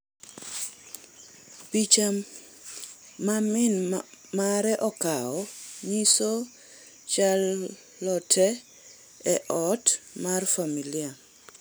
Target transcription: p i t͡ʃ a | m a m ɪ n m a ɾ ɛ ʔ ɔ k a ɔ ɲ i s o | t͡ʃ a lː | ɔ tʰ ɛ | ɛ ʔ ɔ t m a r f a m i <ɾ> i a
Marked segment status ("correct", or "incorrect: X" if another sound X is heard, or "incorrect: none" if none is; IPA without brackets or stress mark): incorrect: l